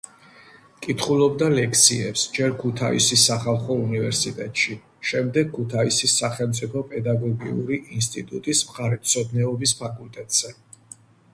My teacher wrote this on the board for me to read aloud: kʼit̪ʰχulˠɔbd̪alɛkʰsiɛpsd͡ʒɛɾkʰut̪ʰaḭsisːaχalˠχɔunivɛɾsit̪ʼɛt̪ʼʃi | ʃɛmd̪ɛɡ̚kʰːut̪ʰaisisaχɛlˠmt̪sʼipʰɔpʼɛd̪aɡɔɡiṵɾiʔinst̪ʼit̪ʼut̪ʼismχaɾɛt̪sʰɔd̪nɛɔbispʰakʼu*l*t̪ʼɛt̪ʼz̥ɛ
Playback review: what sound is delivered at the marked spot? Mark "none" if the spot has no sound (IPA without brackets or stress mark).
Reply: l